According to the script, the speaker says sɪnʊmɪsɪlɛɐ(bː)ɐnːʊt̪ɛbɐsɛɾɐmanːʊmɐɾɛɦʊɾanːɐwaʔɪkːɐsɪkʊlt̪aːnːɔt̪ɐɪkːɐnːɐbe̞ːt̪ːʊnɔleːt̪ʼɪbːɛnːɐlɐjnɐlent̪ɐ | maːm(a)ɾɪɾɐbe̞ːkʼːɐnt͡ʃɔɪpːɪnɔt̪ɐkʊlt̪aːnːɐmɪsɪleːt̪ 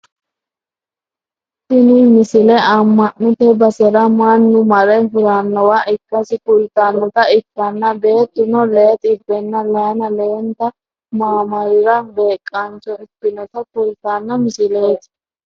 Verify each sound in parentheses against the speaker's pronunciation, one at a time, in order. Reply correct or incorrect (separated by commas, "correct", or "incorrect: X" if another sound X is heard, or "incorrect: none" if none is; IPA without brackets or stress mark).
incorrect: mː, incorrect: ɐ